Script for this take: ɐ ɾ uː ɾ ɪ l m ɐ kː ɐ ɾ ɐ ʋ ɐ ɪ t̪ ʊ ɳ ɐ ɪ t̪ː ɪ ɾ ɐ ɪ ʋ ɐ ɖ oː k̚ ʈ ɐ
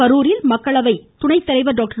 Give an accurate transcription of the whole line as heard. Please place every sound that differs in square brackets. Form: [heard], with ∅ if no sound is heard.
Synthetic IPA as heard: ɐ ɾ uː ɾ ɪ l m ɐ kː ɐ [ɭ] ɐ ʋ ɐ ɪ t̪ ʊ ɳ ɐ ɪ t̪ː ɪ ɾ ɐ ɪ ʋ ɐ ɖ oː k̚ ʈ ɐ